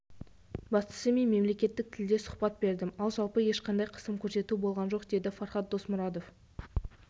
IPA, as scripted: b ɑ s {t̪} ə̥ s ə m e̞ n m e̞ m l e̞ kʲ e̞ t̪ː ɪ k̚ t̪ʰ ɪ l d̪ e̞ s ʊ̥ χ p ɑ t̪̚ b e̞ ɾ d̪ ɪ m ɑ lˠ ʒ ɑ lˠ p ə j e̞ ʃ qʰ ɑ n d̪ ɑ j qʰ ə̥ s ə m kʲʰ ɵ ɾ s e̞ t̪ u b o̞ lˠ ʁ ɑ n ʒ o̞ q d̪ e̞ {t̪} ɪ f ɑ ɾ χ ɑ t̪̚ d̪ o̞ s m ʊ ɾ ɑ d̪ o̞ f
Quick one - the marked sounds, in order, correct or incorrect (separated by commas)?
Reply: correct, incorrect